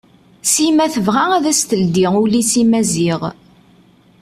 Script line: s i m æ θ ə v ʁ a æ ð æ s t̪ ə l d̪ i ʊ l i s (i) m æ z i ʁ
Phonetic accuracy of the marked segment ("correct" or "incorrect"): correct